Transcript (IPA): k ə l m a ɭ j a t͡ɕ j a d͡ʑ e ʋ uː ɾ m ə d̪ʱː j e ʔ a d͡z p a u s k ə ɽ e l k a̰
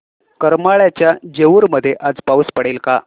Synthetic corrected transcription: k ə ɾ m a ɭ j a t͡ɕ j a d͡ʑ e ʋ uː ɾ m ə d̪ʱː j e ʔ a d͡z p a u s p ə ɽ e l k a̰